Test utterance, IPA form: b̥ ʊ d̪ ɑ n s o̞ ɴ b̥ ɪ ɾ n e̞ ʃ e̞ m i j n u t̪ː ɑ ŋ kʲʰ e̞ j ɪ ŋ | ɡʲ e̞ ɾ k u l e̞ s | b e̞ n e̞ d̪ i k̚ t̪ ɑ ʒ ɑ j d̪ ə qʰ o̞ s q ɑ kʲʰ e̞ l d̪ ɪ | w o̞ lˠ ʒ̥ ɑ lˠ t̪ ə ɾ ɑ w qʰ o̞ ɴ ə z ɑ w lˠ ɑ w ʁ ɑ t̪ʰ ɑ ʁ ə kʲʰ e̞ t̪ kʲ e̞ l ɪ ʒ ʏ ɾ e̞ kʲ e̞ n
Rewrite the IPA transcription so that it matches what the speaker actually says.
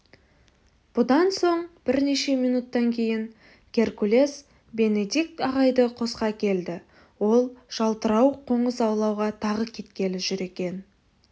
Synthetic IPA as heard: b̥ ʊ d̪ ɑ n s o̞ ɴ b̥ ɪ ɾ n e̞ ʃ e̞ m i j n u t̪ː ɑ ŋ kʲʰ e̞ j ɪ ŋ | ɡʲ e̞ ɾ k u l e̞ s | b e̞ n e̞ d̪ i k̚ t̪ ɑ ʁ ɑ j d̪ ə qʰ o̞ s q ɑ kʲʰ e̞ l d̪ ɪ | w o̞ lˠ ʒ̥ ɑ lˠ t̪ ə ɾ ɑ w qʰ o̞ ɴ ə z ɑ w lˠ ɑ w ʁ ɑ t̪ʰ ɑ ʁ ə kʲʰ e̞ t̪ kʲ e̞ l ɪ ʒ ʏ ɾ e̞ kʲ e̞ n